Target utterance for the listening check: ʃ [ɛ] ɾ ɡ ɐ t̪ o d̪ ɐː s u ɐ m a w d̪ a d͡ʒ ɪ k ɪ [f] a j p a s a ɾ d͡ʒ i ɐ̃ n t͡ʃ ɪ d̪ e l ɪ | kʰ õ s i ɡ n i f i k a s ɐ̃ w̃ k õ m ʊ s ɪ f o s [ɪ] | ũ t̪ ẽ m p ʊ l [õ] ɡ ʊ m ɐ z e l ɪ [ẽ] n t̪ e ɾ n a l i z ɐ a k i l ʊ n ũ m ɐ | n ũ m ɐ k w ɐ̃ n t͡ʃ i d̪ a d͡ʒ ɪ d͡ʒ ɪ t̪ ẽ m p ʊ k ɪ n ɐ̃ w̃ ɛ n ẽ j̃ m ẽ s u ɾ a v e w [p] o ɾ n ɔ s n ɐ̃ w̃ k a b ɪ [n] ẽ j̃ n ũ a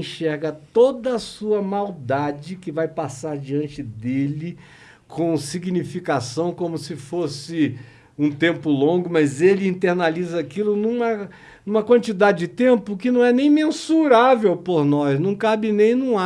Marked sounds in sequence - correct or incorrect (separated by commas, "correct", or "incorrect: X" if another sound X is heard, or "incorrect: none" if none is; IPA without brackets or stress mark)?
correct, incorrect: v, correct, correct, incorrect: ĩ, correct, correct